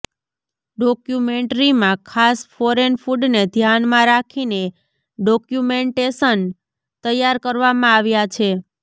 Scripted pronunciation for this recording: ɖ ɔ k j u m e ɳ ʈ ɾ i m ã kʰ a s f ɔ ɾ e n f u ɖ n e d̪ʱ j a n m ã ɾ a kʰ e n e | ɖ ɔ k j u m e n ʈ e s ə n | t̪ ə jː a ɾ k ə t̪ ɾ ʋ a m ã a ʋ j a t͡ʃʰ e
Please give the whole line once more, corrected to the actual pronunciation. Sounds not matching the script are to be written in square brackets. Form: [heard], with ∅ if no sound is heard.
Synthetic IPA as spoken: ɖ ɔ k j u m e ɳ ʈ ɾ i m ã kʰ a s f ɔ ɾ e n f u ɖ n e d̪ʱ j a n m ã ɾ a kʰ [i] n e | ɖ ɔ k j u m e [ɳ] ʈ e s ə n | t̪ ə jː a ɾ k ə [∅] ɾ ʋ a m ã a ʋ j a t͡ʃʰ e